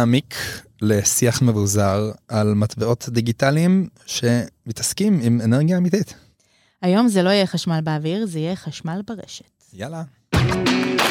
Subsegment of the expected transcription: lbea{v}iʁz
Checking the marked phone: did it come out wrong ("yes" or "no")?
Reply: no